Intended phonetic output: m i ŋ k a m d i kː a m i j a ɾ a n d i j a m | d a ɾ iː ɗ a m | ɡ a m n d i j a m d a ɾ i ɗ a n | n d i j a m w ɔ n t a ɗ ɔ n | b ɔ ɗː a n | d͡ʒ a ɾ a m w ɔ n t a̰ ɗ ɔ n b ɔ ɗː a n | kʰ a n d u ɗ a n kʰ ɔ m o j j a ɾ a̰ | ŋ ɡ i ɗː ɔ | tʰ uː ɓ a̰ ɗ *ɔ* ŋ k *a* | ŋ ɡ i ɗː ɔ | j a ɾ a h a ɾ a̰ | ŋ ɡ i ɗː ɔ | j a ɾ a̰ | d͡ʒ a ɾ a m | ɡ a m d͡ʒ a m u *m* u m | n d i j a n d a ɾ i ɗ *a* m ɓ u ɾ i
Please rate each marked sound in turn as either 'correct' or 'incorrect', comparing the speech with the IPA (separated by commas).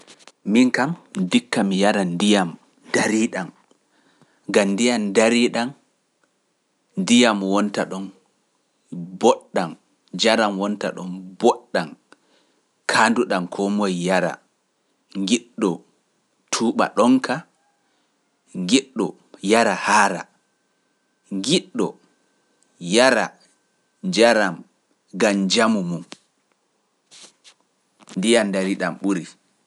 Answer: correct, correct, correct, correct